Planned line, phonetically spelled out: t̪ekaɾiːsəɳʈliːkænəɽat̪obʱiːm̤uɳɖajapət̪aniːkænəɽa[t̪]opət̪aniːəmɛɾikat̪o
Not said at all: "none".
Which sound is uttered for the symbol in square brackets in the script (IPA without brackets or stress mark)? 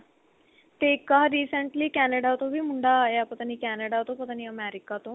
t̪